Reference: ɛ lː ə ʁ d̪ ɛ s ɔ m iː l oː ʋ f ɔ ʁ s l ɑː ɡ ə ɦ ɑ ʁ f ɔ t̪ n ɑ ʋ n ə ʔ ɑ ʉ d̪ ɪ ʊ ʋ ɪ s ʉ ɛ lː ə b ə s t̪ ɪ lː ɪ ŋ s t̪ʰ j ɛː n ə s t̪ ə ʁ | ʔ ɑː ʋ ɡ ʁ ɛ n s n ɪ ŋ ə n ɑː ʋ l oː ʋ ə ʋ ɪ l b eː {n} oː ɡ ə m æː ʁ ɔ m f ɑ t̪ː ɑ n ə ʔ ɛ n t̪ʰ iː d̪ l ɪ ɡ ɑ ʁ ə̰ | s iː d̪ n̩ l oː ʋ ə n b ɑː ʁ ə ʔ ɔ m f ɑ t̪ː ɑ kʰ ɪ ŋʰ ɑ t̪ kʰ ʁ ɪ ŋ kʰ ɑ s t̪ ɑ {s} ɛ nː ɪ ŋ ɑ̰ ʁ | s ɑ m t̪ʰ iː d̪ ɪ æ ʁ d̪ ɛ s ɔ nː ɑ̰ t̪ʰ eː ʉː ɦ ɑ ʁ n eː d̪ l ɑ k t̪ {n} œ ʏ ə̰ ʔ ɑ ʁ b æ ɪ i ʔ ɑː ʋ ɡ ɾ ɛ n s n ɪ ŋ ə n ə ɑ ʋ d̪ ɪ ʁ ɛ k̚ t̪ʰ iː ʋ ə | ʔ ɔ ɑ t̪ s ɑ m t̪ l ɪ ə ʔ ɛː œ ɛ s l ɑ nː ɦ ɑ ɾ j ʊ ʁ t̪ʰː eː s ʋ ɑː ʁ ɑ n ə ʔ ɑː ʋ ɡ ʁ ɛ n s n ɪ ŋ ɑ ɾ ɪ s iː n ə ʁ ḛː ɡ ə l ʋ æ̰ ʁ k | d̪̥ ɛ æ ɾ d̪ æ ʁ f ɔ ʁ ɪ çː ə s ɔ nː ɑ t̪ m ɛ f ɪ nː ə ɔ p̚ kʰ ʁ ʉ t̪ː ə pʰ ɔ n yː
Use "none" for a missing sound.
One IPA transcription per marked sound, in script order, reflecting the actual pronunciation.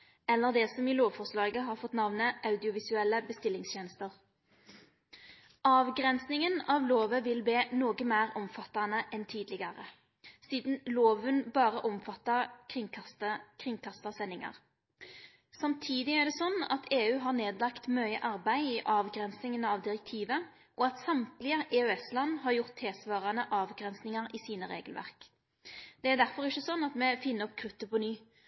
n, s, m

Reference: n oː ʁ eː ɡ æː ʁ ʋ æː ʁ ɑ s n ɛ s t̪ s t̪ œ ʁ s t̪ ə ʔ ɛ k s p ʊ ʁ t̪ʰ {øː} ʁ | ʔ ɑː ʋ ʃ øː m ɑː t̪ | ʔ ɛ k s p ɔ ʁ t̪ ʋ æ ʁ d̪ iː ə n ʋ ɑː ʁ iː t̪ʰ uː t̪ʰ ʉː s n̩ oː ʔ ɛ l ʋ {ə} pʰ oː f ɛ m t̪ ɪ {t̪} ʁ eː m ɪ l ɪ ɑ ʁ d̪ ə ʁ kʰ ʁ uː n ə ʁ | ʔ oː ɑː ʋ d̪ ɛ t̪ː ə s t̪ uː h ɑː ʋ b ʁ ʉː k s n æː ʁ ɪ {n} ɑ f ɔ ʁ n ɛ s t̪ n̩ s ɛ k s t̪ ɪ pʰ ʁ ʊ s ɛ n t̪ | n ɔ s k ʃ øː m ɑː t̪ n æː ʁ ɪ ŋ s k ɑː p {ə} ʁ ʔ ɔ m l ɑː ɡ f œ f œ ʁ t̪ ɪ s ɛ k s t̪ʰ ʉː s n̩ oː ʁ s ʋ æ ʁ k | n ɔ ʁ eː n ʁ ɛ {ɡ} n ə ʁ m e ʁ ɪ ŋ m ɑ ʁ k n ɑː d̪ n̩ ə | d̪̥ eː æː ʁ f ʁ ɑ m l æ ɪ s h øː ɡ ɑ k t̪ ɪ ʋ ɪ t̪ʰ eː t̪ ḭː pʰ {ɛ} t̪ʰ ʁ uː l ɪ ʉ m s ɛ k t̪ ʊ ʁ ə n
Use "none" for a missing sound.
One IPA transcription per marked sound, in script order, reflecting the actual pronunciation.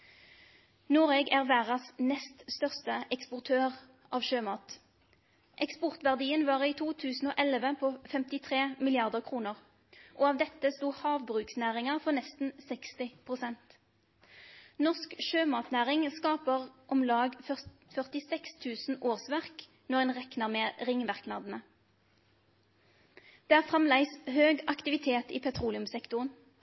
øː, ə, t̪ʰ, ŋ, ə, k, ɛ

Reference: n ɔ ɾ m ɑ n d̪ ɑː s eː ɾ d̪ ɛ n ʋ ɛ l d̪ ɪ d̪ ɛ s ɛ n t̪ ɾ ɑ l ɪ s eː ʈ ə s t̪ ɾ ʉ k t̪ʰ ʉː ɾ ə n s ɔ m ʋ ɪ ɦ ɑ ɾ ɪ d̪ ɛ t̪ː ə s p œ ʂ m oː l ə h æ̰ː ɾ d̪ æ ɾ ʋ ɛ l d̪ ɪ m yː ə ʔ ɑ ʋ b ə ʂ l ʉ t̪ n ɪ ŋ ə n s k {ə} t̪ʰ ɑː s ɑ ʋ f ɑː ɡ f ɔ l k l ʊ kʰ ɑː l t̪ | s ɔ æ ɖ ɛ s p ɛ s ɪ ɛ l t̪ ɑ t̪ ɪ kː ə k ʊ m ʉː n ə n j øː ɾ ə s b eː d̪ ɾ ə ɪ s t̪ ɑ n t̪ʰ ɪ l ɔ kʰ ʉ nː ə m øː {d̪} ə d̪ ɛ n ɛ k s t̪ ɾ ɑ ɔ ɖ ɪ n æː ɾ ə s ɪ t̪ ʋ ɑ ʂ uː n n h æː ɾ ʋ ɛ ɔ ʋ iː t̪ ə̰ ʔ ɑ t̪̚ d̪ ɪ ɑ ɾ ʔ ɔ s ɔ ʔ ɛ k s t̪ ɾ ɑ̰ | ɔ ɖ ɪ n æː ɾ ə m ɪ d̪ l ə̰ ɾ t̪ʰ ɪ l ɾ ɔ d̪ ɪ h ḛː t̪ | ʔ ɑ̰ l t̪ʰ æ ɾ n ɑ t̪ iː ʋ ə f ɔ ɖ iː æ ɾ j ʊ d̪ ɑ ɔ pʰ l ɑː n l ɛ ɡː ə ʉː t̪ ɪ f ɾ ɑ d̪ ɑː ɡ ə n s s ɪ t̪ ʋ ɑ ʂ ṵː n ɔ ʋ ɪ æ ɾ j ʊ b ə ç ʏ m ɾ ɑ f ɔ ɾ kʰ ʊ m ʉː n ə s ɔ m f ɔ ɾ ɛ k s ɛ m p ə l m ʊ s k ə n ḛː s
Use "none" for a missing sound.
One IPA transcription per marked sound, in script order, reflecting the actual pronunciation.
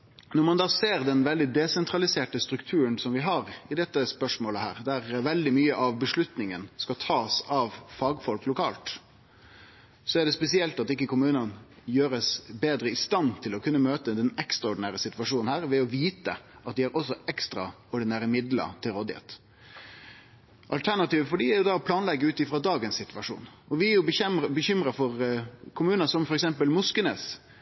ɑ, t̪

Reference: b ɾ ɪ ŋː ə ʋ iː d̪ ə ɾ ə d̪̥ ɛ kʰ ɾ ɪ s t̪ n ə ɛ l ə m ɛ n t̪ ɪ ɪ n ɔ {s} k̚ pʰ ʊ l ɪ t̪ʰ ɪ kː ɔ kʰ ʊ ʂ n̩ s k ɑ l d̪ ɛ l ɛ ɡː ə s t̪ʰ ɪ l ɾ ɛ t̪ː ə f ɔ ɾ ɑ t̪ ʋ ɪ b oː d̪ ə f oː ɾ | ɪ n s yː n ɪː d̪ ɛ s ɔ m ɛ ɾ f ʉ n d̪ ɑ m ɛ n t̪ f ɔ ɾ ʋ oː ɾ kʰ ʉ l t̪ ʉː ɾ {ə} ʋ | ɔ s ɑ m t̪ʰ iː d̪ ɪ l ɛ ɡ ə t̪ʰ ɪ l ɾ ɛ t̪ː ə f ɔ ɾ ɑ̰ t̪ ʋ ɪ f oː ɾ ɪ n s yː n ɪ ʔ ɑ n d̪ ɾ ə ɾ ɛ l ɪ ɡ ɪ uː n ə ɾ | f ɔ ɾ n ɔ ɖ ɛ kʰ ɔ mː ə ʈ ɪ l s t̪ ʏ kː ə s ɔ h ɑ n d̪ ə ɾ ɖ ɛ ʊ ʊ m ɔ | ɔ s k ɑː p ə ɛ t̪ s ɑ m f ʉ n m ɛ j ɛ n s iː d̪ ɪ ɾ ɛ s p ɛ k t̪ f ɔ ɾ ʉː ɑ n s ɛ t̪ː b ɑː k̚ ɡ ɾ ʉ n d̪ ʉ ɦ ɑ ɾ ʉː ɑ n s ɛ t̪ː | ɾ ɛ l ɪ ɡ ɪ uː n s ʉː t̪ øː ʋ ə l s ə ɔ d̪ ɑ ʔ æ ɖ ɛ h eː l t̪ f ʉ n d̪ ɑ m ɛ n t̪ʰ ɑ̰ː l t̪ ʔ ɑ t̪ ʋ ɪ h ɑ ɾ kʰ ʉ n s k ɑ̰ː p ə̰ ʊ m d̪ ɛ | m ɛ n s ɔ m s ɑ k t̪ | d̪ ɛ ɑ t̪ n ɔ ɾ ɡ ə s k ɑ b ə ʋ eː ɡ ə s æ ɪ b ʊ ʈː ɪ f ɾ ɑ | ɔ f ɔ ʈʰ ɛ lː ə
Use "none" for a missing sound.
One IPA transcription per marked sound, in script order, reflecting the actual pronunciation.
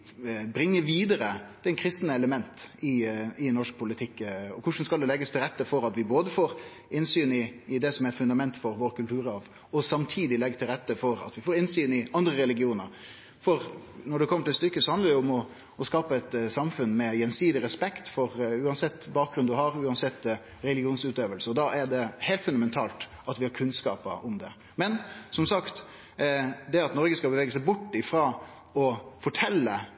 ʂ, ɑ

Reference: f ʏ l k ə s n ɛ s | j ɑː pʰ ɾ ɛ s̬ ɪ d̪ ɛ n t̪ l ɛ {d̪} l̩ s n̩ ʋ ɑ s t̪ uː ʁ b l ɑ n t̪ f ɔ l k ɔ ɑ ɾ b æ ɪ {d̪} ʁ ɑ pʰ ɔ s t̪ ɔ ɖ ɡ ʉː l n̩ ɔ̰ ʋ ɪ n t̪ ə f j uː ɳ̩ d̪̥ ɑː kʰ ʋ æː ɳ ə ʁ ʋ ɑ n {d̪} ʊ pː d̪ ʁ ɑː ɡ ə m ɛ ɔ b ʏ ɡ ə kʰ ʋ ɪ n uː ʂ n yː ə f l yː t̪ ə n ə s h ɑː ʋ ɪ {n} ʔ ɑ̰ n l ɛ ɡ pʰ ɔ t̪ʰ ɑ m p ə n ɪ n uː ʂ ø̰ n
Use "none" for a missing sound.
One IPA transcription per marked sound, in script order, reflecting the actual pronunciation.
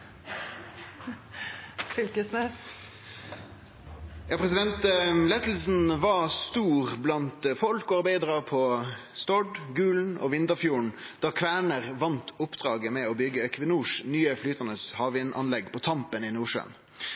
t̪, d̪, t̪, n

